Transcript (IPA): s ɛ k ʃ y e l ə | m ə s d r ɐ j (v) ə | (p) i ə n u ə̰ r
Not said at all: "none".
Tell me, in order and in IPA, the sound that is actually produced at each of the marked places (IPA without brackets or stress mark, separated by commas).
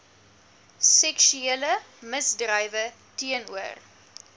v, t